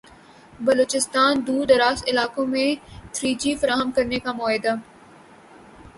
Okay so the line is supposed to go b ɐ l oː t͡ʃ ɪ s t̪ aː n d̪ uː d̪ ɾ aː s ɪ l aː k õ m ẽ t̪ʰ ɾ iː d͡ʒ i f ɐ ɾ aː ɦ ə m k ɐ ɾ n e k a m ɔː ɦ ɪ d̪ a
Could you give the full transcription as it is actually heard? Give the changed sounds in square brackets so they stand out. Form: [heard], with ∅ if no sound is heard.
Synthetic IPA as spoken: b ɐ l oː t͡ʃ ɪ s t̪ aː n d̪ uː d̪ ɾ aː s ɪ l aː k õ m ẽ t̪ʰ ɾ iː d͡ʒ i f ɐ ɾ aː ɦ ə m k ɐ ɾ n e k a m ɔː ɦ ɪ d̪ a